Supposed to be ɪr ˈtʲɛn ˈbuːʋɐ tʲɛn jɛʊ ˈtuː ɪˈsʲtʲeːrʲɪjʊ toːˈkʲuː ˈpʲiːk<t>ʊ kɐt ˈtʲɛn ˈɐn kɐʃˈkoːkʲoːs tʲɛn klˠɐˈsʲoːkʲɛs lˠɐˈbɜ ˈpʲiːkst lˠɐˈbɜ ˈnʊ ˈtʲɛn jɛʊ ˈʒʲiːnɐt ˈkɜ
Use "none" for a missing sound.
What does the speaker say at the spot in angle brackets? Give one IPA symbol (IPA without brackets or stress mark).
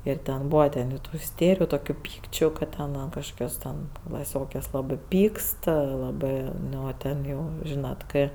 t͡ʃʲ